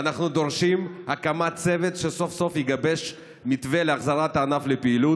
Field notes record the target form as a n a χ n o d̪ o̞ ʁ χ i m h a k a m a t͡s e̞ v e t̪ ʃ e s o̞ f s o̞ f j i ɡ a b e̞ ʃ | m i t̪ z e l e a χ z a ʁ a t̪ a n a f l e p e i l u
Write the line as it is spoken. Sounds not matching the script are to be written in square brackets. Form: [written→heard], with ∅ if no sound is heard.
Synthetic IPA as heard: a n a χ n [o→u] d̪ o̞ ʁ [χ→ʃ] i m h a k a m a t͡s e̞ v e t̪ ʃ e s o̞ f s o̞ f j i ɡ a b e̞ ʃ | m i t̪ [z→v] e l e a χ z a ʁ a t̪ a n a f l e p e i l u

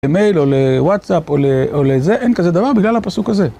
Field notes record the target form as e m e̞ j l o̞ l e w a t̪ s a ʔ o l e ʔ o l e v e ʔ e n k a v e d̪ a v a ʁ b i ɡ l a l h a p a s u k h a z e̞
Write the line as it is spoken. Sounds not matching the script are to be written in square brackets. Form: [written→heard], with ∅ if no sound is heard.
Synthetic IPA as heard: e m e̞ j l o̞ l e w a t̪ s a [ʔ→p] o l e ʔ o l e [v→z] e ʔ e n k a [v→z] e d̪ a v a ʁ b i ɡ l a l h a p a s u k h a z e̞

